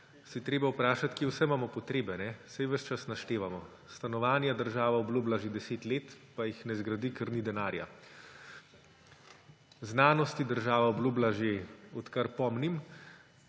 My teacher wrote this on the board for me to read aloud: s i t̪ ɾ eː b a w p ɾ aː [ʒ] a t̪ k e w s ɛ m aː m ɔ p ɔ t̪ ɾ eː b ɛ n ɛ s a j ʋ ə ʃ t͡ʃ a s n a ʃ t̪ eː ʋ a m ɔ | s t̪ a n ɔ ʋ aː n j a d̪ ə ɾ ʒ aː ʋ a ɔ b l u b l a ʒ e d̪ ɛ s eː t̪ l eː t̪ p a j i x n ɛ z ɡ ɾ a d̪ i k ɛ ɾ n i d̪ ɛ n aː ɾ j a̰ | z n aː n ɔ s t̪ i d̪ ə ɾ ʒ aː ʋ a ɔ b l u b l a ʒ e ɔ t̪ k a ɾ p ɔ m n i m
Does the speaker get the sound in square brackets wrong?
yes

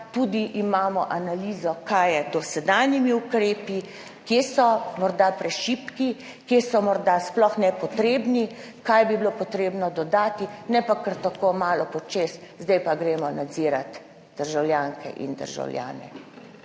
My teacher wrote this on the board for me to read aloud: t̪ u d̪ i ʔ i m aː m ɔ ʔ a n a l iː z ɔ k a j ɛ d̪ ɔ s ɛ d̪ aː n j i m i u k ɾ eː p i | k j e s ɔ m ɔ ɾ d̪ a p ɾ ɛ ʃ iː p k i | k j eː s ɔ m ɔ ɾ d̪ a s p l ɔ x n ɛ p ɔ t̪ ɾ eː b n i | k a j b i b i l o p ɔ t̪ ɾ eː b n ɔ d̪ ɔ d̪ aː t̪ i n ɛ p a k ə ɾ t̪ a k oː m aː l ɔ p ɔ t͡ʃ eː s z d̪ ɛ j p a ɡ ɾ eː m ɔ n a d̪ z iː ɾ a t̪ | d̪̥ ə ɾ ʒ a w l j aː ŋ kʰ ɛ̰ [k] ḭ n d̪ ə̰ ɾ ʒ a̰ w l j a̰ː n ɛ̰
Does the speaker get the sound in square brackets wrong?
yes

